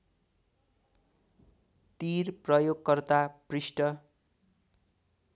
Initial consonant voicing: voiceless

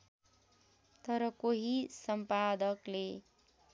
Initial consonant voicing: voiceless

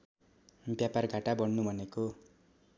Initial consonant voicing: voiced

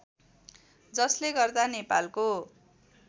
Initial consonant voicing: voiced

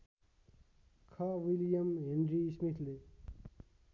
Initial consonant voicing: voiceless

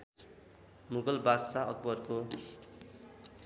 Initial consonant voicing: voiced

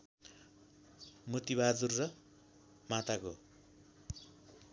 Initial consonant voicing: voiced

